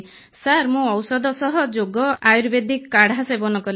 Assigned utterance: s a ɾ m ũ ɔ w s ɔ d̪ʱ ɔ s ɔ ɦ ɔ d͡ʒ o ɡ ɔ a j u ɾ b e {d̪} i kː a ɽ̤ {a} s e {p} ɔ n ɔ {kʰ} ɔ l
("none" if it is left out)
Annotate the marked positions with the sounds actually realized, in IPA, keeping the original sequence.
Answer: d̪, a, b, k

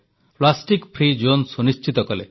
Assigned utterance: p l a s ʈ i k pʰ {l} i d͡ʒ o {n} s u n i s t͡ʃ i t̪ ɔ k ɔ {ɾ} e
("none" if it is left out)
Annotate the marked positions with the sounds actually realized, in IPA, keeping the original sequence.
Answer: ɾ, n, l

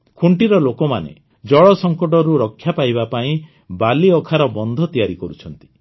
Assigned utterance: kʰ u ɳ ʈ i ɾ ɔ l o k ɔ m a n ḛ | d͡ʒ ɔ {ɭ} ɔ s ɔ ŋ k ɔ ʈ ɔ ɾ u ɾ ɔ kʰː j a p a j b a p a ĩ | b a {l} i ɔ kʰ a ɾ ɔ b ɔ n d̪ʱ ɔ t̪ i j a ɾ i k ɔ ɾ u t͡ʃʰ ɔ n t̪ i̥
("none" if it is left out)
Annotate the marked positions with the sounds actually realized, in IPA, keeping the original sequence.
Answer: ɭ, l

